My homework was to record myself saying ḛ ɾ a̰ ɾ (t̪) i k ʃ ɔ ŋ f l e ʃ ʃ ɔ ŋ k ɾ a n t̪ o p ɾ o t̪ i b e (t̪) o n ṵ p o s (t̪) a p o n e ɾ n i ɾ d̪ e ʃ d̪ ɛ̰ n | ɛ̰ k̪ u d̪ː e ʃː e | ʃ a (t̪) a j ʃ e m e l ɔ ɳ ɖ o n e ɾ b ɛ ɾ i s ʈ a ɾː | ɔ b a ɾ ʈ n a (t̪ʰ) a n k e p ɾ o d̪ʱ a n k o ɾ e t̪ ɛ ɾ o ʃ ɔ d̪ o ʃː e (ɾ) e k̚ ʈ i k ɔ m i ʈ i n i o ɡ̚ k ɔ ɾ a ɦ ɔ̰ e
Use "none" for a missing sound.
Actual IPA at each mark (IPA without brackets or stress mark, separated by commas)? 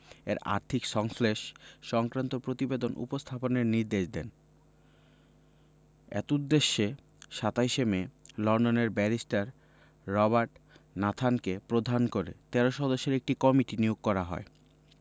t̪ʰ, d̪, t̪ʰ, t̪, t̪ʰ, ɾ